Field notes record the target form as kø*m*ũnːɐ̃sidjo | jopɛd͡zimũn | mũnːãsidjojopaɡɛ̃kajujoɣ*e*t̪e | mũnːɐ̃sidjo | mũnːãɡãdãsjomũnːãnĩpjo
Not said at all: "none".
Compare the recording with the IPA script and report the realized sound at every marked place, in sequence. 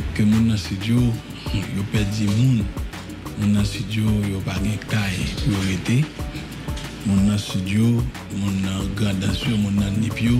m, e

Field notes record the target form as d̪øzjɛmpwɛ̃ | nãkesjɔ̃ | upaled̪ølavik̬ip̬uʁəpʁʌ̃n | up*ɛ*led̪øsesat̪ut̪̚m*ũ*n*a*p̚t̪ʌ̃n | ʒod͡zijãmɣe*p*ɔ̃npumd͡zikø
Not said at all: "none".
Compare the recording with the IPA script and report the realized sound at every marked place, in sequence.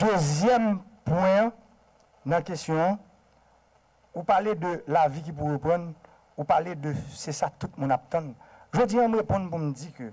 a, ũ, a, p

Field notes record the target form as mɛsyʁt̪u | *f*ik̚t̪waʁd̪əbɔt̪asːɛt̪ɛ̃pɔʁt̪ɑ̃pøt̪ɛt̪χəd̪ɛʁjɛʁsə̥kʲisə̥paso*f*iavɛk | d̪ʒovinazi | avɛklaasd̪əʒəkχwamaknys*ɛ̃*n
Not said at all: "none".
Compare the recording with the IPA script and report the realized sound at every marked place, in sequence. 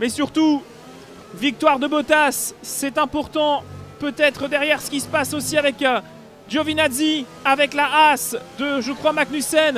v, s, ɛ

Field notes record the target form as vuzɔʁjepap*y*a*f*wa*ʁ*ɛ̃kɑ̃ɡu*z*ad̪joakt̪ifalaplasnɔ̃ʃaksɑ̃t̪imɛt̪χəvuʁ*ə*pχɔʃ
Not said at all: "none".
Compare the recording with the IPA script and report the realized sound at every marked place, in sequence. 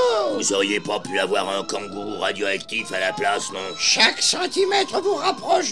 y, v, ʁ, ʁ, a

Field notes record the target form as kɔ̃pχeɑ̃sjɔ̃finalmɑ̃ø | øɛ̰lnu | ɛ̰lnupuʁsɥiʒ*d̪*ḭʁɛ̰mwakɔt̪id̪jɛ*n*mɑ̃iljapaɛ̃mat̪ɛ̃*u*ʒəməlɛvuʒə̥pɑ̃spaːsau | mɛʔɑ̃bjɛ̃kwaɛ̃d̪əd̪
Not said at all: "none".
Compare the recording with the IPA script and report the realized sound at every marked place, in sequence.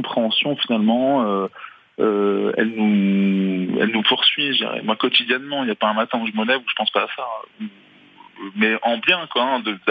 d̪, n, u

